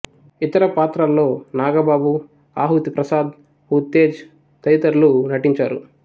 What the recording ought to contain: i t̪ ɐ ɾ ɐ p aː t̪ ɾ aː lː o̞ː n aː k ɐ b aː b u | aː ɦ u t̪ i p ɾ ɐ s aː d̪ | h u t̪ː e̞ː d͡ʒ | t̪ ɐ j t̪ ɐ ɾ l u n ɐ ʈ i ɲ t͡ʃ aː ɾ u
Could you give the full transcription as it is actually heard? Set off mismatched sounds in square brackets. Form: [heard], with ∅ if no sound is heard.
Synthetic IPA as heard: i t̪ ɐ ɾ ɐ p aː t̪ ɾ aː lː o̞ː n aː [ɡ] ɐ b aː b u | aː ɦ u t̪ i p ɾ ɐ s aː d̪ | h u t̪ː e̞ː d͡ʒ | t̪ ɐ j t̪ ɐ ɾ l u n ɐ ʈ i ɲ t͡ʃ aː ɾ u